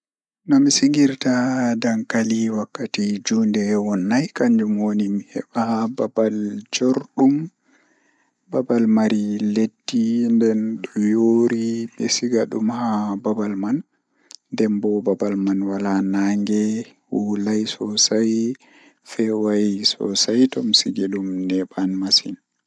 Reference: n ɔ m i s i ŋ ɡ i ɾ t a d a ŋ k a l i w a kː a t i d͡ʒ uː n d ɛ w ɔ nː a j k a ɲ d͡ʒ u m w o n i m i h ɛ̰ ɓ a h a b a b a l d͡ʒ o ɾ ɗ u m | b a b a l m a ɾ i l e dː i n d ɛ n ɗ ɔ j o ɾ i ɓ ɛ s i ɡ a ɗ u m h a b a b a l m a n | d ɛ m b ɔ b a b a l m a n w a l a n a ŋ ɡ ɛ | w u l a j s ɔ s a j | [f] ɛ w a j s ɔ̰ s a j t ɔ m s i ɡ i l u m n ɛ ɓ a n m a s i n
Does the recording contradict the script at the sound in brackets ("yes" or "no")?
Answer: no